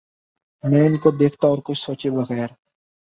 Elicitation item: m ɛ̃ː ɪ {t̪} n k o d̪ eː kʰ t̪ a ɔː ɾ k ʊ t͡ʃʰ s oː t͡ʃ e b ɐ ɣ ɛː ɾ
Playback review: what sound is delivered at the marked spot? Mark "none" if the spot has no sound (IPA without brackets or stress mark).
none